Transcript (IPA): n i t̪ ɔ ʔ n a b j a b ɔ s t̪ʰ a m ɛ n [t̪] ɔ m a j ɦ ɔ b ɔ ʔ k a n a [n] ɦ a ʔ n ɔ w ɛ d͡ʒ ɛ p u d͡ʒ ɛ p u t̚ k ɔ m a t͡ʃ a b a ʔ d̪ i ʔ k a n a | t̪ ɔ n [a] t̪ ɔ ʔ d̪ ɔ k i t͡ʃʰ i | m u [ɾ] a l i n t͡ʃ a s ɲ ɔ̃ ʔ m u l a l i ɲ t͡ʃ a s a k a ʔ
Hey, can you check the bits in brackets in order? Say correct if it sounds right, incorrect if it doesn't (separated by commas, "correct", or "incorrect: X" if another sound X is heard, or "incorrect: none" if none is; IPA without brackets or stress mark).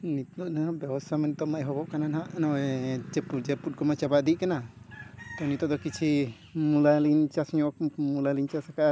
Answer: correct, correct, incorrect: i, incorrect: l